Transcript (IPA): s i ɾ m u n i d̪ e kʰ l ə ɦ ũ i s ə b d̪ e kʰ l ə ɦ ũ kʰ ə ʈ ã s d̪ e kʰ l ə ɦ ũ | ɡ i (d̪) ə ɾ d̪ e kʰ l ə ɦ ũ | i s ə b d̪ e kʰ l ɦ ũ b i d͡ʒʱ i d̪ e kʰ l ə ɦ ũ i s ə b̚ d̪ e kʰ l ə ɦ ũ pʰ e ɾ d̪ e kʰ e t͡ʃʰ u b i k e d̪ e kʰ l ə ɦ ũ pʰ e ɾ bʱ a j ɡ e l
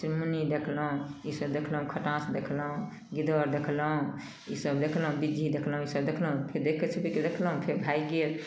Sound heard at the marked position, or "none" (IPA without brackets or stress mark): d̪